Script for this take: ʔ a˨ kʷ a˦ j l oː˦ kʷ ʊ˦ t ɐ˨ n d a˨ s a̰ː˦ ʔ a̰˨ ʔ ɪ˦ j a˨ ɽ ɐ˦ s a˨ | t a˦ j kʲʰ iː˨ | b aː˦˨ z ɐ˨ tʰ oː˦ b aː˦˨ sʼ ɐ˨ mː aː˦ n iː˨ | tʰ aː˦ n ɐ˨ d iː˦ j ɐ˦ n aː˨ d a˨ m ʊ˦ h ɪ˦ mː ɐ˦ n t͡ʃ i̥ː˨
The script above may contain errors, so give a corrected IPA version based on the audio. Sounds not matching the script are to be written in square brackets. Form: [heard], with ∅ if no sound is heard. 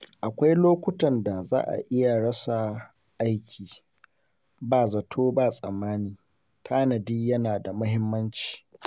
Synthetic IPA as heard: ʔ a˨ kʷ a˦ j l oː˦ kʷ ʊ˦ t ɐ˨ n d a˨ [z] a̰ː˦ ʔ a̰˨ ʔ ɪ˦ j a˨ ɽ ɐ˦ s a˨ | [ʔ] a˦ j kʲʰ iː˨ | b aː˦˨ z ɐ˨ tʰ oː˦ b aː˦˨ sʼ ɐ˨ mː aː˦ n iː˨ | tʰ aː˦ n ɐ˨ d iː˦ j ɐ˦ n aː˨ d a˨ m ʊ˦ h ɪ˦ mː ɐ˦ n t͡ʃ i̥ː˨